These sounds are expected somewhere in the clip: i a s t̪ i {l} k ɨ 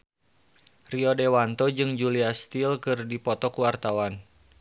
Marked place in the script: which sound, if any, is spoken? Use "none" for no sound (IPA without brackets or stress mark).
l